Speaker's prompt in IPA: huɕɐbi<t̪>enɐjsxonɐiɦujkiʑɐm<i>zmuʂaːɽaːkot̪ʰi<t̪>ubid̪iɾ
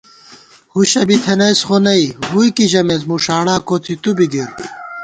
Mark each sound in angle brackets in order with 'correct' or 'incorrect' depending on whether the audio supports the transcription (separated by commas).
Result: incorrect, incorrect, correct